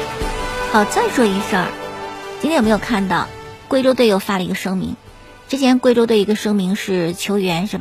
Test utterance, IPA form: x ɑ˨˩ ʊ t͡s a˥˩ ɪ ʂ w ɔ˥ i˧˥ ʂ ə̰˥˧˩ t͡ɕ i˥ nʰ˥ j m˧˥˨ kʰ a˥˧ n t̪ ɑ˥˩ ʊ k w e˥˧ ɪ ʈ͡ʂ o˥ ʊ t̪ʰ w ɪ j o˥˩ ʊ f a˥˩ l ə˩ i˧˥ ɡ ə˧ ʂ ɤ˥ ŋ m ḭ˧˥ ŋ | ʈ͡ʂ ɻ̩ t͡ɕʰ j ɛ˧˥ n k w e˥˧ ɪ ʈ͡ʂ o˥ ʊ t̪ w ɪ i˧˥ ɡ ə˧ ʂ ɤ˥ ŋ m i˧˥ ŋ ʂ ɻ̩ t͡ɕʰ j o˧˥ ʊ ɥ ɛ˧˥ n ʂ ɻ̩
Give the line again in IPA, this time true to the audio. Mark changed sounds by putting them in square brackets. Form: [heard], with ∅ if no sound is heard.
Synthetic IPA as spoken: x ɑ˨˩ ʊ t͡s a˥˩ ɪ ʂ w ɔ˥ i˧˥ ʂ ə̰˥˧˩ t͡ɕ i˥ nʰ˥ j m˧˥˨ kʰ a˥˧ n t̪ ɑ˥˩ ʊ k w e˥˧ ɪ ʈ͡ʂ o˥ ʊ [t̪] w ɪ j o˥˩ ʊ f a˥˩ l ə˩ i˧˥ ɡ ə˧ ʂ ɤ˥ ŋ m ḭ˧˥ ŋ | ʈ͡ʂ ɻ̩ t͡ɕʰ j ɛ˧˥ n k w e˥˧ ɪ ʈ͡ʂ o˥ ʊ t̪ w ɪ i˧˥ ɡ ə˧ ʂ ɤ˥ ŋ m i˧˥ ŋ ʂ ɻ̩ t͡ɕʰ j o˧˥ ʊ ɥ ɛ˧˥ n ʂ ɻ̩